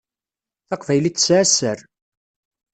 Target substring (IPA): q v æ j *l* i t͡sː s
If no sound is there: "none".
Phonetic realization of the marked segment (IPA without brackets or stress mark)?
l